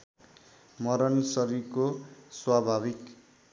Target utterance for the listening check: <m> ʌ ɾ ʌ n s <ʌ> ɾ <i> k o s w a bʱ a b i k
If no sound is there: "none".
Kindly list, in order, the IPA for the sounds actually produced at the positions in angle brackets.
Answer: m, ʌ, i

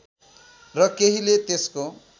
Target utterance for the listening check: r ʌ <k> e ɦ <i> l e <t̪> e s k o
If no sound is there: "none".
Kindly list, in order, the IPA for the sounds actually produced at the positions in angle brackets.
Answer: k, i, t̪

